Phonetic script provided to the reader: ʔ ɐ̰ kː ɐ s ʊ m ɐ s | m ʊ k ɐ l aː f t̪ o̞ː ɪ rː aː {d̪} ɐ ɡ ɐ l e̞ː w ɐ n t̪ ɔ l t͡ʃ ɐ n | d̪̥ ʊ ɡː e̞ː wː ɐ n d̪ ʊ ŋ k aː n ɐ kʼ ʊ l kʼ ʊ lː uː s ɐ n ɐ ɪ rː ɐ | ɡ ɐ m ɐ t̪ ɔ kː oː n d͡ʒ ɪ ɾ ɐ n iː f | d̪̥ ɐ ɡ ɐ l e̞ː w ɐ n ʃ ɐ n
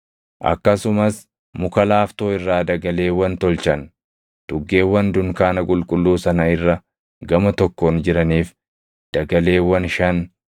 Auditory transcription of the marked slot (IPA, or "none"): d̪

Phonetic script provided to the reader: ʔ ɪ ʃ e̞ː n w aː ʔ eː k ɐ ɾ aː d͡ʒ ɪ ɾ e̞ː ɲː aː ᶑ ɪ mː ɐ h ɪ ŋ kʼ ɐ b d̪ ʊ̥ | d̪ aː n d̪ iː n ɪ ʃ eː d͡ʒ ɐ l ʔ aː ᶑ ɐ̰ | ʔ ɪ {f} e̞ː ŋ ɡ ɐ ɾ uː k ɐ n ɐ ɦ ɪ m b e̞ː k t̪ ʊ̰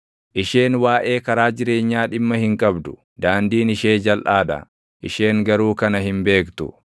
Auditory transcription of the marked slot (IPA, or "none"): ʃ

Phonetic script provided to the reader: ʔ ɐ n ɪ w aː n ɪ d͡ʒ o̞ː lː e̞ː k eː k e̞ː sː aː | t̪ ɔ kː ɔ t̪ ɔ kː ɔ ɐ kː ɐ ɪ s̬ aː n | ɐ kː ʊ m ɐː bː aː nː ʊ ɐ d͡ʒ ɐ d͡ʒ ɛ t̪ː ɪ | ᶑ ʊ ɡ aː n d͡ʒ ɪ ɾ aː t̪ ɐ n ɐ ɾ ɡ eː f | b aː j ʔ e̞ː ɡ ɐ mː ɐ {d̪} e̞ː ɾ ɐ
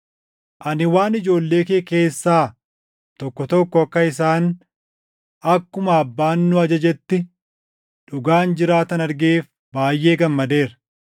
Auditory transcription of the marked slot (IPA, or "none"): d̪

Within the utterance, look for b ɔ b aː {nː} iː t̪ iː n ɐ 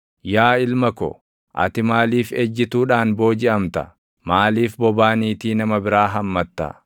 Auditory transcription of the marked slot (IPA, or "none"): n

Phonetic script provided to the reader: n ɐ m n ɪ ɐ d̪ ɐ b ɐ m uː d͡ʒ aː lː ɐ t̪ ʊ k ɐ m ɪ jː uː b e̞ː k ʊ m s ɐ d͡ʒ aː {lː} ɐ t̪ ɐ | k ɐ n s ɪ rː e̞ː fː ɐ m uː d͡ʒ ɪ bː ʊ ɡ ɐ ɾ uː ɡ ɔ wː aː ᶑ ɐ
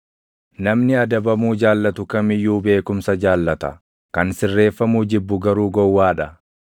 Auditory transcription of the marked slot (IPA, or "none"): lː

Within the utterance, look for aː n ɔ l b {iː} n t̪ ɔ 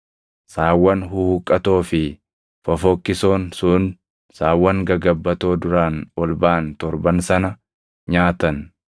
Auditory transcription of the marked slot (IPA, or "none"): aː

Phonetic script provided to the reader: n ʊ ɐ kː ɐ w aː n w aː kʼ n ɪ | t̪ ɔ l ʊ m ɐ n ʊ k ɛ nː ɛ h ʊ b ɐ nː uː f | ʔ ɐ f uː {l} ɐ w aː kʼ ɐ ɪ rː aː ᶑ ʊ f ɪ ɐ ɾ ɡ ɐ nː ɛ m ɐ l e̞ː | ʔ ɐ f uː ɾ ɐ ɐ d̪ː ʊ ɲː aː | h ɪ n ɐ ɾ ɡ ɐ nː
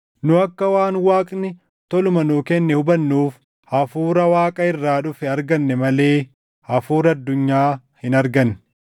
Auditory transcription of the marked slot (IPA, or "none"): ɾ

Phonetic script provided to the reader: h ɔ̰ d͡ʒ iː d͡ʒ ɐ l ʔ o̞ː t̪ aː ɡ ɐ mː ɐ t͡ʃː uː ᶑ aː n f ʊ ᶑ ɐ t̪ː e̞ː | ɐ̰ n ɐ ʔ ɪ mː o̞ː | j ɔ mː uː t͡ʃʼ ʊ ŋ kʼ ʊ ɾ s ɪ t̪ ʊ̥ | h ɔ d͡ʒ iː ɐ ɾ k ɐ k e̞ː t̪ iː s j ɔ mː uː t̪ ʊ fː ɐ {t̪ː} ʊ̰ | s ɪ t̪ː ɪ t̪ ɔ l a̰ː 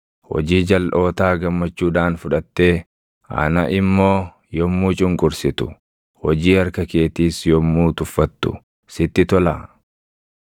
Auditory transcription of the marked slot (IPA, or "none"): t̪ː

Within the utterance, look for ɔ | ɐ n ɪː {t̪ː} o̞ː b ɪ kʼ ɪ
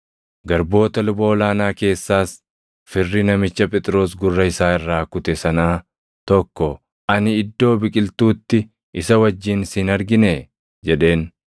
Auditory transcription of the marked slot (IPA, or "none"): d̪ː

